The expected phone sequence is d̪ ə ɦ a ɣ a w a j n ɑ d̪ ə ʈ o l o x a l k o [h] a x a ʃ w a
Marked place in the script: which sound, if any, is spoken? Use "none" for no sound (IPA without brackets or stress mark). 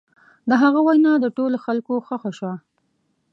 x